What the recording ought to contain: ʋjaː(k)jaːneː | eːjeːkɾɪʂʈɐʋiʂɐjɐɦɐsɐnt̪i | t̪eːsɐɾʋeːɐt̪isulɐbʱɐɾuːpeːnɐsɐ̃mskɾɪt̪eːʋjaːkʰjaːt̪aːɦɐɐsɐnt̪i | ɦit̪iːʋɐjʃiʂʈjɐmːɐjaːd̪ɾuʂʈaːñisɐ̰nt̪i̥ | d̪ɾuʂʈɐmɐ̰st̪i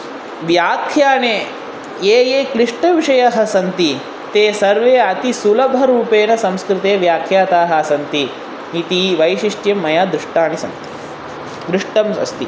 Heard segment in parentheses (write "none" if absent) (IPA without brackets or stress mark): kʰ